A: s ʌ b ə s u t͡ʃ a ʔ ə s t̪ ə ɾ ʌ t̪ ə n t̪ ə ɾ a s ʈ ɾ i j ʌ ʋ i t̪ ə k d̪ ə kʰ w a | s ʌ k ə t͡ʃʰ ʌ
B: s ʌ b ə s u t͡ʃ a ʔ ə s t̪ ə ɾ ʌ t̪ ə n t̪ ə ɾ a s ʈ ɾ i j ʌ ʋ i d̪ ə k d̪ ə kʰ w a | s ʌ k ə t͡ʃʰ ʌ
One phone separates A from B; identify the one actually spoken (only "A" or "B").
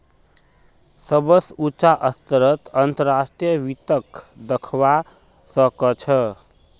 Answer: A